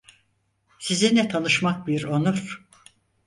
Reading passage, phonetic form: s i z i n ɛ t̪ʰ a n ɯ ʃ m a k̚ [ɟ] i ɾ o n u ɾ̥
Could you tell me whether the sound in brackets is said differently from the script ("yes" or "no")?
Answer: yes